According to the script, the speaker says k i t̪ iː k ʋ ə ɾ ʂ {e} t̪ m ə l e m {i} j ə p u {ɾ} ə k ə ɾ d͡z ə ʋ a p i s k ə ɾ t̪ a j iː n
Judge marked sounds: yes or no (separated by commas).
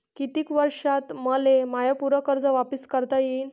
no, no, yes